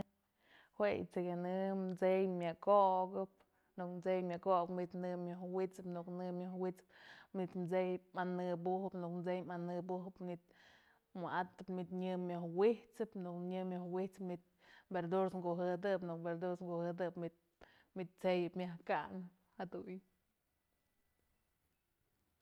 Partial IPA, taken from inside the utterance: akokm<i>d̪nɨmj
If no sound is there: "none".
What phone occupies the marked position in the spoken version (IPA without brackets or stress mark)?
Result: i